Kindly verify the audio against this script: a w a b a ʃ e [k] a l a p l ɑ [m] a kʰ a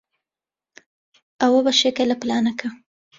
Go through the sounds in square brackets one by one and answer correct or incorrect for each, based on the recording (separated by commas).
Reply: correct, incorrect